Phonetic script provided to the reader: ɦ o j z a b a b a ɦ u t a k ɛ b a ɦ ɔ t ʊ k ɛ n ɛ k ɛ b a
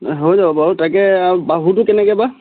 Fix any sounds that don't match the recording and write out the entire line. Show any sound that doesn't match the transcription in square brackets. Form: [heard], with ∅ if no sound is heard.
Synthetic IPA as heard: ɦ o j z a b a b a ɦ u t a k ɛ b a ɦ [u] t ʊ k ɛ n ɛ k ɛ b a